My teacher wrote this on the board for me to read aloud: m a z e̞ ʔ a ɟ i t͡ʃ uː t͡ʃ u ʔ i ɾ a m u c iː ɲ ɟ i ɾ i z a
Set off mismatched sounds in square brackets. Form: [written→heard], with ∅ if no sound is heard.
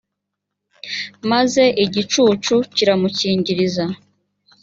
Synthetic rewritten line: m a z e̞ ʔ [a→i] ɟ i t͡ʃ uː t͡ʃ u [ʔ→c] i ɾ a m u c iː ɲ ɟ i ɾ i z a